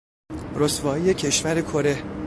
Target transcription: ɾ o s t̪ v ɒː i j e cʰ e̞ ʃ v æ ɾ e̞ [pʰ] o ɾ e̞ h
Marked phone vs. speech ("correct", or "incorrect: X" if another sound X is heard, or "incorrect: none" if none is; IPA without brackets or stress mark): incorrect: kʰ